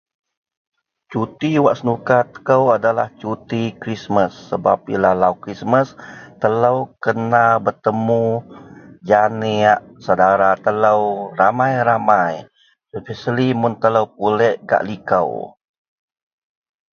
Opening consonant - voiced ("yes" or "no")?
no